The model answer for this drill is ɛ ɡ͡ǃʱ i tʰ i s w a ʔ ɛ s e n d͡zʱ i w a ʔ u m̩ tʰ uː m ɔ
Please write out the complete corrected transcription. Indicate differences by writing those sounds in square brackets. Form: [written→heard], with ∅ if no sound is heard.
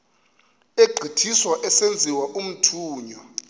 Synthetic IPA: [ɛ→e] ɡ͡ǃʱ i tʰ i s w a ʔ ɛ s e n d͡zʱ i w a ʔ u m̩ tʰ uː [m→ɲ] ɔ